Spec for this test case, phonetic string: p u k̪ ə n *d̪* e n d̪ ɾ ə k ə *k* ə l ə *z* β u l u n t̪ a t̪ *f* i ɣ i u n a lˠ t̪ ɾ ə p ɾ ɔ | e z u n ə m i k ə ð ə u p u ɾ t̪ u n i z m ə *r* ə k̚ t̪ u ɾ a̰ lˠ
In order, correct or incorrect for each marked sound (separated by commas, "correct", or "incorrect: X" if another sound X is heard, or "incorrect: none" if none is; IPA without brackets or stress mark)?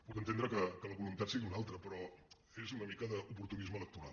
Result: incorrect: t̪, correct, incorrect: none, incorrect: s, incorrect: l